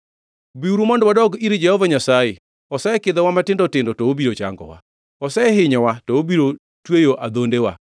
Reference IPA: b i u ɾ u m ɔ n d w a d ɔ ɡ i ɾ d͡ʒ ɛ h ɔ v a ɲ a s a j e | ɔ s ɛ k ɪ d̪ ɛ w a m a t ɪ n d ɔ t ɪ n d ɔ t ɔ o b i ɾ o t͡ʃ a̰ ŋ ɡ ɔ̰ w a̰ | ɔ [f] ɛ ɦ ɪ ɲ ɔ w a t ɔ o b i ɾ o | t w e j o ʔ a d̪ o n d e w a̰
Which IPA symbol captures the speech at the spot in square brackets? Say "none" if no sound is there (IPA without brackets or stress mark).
s